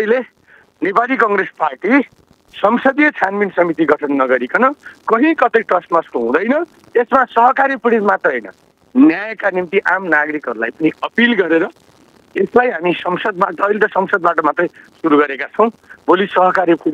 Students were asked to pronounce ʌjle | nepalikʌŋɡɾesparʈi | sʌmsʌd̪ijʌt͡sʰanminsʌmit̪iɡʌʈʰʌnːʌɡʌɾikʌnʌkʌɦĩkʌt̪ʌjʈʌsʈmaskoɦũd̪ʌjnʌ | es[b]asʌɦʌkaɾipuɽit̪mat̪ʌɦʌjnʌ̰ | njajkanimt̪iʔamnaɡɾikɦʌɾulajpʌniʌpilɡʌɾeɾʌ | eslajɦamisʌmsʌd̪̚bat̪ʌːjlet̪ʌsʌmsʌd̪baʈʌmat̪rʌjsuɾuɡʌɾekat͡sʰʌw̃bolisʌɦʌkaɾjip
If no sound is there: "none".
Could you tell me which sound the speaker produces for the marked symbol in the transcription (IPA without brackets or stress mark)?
m